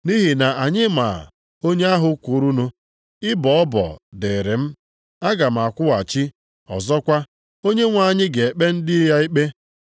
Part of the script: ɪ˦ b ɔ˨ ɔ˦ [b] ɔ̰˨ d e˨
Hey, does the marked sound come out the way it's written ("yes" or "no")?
yes